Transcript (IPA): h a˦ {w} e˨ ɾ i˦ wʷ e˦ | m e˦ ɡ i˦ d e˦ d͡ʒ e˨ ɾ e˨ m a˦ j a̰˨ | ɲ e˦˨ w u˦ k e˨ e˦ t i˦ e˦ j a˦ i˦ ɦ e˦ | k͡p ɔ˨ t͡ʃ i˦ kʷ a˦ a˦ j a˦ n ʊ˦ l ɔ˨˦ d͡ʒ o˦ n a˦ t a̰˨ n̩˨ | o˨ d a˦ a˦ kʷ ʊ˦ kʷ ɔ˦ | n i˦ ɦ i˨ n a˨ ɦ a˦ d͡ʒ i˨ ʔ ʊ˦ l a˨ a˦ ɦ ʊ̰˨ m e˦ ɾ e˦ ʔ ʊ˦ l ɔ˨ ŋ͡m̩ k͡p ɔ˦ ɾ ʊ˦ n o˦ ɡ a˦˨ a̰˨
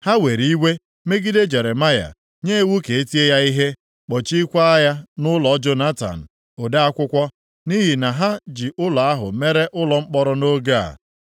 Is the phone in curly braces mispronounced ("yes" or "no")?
no